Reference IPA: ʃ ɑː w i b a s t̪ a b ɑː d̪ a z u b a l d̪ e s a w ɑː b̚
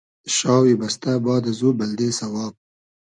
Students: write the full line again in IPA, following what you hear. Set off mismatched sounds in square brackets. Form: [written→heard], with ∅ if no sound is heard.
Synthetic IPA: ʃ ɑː w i b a s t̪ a b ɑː d̪ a z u b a l d̪ e s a w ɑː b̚